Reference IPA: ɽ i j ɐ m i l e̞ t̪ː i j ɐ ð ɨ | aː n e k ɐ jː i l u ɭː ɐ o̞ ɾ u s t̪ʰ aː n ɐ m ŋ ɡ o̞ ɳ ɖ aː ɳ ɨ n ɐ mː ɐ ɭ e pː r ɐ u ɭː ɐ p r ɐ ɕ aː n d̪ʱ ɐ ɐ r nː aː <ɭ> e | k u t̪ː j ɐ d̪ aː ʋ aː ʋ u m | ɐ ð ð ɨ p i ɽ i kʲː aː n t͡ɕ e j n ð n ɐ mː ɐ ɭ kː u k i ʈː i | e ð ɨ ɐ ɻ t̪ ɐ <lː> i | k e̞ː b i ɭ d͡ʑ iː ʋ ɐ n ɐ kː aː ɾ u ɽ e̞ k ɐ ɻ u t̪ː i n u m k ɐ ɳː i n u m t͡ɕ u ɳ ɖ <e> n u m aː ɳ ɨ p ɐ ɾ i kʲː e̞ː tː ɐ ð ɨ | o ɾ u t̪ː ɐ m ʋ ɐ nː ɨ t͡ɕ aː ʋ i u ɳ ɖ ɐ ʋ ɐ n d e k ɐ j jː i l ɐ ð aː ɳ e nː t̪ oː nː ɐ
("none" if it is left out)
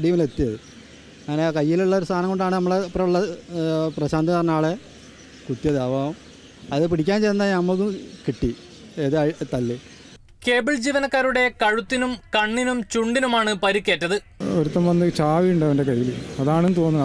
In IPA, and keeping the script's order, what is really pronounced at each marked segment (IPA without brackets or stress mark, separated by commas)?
ɭ, lː, i